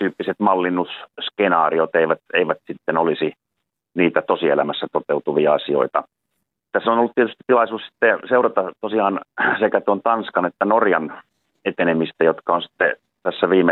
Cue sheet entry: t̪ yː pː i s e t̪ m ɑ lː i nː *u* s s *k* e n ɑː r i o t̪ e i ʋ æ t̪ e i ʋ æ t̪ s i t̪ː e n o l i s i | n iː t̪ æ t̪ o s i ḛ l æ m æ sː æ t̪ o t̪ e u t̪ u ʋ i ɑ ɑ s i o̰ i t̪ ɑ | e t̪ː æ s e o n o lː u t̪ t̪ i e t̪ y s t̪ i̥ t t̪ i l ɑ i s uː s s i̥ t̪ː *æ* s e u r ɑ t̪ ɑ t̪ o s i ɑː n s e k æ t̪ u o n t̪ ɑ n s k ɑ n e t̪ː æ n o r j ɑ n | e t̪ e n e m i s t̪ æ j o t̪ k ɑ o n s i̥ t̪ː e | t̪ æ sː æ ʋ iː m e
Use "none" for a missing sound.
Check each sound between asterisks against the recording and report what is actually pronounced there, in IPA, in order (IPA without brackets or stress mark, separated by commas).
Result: u, k, e